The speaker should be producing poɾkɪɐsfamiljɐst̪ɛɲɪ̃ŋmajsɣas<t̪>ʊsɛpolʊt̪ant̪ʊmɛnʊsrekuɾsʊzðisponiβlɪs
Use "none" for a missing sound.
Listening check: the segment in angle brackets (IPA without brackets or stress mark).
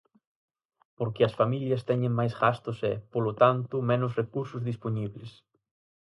t̪